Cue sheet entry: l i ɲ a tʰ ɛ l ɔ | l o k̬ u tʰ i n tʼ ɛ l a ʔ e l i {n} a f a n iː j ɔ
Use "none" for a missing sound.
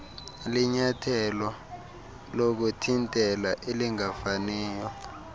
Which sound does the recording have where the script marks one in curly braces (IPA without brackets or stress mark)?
ŋ